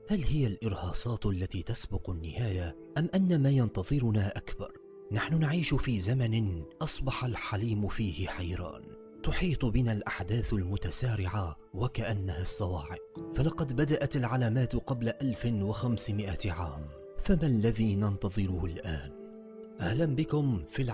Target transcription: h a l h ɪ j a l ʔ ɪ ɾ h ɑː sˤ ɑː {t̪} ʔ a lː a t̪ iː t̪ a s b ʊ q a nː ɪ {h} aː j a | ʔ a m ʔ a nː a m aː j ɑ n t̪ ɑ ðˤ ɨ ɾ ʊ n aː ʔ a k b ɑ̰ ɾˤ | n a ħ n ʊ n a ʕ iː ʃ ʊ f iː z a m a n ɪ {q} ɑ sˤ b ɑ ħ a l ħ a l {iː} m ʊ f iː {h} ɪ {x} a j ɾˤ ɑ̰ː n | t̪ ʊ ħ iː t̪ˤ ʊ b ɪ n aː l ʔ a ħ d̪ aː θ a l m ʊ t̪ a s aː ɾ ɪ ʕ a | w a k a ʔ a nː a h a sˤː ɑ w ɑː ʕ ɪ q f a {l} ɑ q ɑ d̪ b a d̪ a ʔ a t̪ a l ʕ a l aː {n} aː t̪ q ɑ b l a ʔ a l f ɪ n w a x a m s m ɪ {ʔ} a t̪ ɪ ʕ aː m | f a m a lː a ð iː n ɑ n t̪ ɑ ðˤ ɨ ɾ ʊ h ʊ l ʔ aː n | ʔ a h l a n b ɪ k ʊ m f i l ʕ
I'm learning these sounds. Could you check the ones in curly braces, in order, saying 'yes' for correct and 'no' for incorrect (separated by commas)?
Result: yes, yes, no, yes, yes, no, yes, no, yes